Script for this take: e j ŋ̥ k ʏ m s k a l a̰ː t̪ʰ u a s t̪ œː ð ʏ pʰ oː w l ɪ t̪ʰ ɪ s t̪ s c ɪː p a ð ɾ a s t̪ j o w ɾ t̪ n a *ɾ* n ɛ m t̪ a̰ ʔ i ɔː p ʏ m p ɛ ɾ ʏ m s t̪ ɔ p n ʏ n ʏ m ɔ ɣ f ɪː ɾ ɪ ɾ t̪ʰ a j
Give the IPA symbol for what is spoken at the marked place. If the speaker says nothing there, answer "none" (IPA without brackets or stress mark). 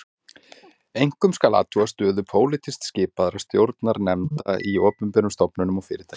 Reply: ɾ